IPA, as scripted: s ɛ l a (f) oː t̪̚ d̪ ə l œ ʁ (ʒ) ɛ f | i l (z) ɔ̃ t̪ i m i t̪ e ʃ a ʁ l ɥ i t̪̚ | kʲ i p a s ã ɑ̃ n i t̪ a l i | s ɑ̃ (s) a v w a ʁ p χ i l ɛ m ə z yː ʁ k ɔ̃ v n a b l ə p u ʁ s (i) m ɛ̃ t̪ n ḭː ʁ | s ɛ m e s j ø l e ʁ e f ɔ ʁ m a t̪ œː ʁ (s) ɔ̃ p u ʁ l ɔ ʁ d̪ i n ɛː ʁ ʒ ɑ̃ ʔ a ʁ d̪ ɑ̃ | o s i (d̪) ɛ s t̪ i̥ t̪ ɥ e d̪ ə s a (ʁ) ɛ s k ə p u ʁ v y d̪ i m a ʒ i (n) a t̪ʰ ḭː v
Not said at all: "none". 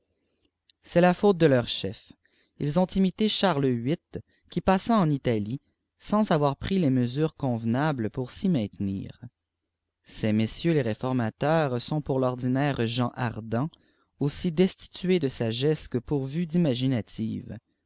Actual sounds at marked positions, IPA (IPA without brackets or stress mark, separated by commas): f, ʃ, z, z, i, s, d̪, ʒ, n